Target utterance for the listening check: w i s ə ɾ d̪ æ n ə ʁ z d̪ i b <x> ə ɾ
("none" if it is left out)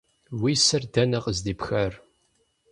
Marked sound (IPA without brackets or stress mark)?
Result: x